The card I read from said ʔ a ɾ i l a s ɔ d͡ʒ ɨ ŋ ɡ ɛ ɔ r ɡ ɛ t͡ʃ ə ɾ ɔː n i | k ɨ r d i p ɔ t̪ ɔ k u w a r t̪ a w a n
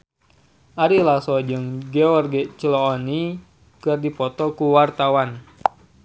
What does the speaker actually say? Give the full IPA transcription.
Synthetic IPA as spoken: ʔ a ɾ i l a s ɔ d͡ʒ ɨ ŋ ɡ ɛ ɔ r ɡ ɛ t͡ʃ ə l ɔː n i | k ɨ r d i p ɔ t̪ ɔ k u w a r t̪ a w a n